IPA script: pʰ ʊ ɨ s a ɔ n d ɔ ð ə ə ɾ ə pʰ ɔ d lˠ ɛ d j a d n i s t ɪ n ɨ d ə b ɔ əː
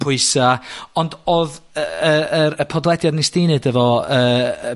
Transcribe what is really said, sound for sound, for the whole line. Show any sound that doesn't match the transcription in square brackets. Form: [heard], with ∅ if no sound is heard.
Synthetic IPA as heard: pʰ ʊ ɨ s a ɔ n d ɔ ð ə ə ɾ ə pʰ ɔ d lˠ ɛ d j a d n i s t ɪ n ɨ d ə [v] ɔ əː